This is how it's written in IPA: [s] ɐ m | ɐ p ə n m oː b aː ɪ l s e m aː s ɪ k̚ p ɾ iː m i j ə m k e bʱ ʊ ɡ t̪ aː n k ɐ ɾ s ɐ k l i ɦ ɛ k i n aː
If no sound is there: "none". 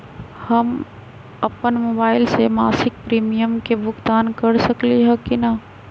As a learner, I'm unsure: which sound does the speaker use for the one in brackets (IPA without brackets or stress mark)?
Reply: h